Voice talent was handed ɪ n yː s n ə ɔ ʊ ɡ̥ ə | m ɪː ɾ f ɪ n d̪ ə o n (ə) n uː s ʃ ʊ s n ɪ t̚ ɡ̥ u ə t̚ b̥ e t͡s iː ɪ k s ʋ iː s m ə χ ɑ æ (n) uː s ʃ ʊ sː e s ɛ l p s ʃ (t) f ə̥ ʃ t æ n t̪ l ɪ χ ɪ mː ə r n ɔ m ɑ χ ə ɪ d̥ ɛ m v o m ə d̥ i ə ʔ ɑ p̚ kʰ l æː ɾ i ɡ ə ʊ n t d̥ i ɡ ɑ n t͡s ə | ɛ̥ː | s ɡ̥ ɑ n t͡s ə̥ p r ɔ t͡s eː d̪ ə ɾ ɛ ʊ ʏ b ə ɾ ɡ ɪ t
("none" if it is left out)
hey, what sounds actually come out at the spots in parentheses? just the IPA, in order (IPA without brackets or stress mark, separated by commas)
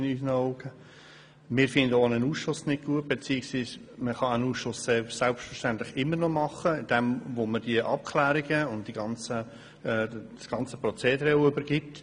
ə, n, t